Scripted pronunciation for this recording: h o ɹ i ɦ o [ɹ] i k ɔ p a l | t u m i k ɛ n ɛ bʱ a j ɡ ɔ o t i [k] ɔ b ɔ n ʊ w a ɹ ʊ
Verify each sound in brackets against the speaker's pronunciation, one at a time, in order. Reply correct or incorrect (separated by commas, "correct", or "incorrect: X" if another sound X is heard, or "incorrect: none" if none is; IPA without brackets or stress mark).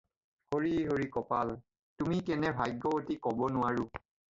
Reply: correct, correct